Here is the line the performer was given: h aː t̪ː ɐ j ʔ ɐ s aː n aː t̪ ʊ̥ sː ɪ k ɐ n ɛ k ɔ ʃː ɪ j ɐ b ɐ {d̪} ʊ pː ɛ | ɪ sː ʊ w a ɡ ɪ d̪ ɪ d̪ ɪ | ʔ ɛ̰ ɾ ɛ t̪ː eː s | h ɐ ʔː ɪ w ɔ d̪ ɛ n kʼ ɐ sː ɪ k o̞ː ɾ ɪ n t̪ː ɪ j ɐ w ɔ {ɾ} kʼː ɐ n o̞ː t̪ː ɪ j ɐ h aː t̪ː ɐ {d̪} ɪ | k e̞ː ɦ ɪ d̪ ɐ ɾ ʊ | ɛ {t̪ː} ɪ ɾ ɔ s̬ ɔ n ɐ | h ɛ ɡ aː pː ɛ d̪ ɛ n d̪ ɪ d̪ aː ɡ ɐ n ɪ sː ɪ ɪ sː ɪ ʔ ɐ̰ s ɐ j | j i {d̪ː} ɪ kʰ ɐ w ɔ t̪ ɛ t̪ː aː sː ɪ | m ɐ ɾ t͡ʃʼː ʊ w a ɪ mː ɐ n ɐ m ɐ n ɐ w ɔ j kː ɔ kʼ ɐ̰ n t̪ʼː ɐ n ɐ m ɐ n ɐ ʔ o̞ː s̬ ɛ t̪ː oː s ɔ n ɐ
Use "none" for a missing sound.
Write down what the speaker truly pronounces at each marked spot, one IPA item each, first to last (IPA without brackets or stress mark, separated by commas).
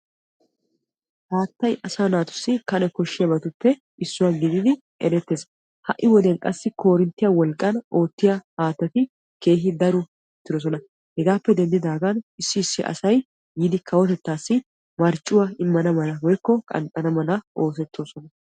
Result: t̪, l, t̪, t̪ː, d̪